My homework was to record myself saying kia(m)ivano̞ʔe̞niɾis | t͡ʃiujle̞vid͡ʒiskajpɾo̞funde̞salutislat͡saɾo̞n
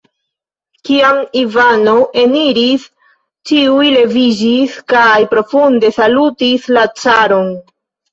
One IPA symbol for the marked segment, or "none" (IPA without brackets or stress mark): m